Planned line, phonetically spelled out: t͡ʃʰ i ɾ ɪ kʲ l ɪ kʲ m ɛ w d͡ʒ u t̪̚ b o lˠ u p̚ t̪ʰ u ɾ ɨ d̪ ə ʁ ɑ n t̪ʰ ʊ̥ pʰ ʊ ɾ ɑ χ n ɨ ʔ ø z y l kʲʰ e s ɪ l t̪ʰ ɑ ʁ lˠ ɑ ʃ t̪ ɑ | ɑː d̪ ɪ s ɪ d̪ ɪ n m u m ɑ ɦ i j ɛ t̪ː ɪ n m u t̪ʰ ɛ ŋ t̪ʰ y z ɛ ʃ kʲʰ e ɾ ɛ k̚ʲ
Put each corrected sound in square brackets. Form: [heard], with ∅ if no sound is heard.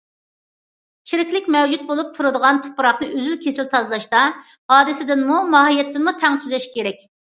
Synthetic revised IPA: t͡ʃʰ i ɾ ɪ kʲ l ɪ kʲ m ɛ w d͡ʒ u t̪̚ b o lˠ u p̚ t̪ʰ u ɾ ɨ d̪ ə ʁ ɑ n t̪ʰ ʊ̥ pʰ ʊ ɾ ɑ χ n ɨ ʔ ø z y l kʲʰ e s ɪ l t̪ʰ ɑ [z] lˠ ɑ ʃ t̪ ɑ | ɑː d̪ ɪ s ɪ d̪ ɪ n m u m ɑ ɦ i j ɛ t̪ː ɪ n m u t̪ʰ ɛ ŋ t̪ʰ y z ɛ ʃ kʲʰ e ɾ ɛ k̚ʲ